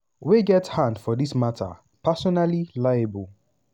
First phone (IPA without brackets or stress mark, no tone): w